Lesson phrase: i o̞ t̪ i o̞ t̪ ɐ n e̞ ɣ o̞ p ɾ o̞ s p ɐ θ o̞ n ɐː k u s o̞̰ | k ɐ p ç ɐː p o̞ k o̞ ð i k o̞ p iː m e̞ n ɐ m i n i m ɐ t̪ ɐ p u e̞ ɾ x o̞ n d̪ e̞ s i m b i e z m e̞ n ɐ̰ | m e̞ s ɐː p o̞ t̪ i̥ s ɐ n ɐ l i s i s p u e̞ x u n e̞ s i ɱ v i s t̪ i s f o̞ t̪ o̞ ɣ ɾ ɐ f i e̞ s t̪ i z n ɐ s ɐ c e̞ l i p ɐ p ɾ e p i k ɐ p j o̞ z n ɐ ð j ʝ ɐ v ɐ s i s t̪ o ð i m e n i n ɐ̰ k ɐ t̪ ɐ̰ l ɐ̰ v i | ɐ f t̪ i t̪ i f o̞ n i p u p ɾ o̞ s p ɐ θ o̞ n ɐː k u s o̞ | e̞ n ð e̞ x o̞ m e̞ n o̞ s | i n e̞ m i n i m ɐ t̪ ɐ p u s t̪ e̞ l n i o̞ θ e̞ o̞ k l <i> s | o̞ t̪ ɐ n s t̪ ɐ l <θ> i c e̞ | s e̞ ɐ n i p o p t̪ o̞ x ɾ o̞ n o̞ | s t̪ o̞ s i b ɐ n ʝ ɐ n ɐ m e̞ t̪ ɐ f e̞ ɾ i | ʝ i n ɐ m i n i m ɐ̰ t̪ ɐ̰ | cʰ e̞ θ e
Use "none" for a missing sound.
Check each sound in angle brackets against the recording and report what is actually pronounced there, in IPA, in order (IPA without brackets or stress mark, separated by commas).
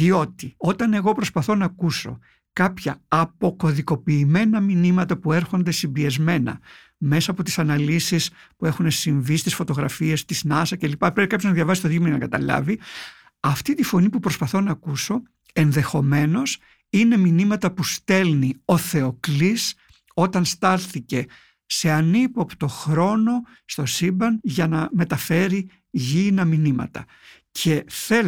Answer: i, θ